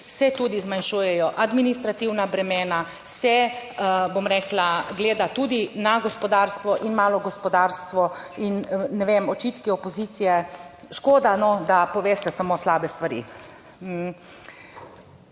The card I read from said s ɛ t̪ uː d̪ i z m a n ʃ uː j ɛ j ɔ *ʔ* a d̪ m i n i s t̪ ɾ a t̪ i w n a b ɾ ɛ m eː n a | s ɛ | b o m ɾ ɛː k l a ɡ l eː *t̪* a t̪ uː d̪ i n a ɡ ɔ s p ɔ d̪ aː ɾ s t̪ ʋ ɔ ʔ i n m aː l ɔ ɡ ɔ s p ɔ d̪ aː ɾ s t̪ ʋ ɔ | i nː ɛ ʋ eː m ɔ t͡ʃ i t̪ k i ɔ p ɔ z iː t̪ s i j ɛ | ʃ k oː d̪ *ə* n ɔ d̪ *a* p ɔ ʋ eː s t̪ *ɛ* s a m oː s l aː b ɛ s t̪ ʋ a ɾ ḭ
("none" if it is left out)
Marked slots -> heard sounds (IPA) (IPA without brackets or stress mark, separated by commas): ʔ, d̪, a, a, ɛ